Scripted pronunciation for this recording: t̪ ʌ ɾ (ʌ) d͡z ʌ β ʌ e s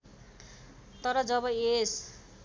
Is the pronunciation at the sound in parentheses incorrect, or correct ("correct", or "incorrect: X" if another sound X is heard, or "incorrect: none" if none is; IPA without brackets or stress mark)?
correct